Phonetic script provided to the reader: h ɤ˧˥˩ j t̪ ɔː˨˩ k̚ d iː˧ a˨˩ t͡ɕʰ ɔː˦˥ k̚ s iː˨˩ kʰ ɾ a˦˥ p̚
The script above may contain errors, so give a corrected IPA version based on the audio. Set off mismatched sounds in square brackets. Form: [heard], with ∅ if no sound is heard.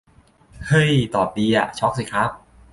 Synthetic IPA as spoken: h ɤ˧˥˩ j t̪ ɔː˨˩ [p̚] d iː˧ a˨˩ t͡ɕʰ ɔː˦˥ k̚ s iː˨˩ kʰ ɾ a˦˥ p̚